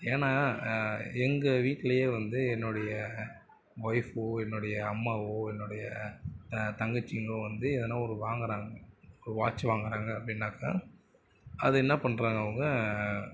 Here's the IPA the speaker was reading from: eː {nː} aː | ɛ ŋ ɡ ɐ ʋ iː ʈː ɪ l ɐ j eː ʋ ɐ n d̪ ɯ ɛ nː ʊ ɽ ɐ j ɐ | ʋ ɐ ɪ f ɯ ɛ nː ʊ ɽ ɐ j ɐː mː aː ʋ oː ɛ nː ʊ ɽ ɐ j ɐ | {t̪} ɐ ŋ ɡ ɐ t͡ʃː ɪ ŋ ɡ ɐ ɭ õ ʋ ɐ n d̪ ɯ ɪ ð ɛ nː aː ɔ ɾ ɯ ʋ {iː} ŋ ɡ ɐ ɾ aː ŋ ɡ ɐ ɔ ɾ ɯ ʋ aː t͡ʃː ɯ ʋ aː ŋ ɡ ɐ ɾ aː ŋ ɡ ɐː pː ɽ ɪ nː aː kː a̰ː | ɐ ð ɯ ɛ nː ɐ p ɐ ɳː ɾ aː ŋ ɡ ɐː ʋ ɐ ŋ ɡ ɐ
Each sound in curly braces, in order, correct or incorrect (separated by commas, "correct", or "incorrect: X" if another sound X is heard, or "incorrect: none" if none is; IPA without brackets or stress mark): incorrect: n, correct, incorrect: aː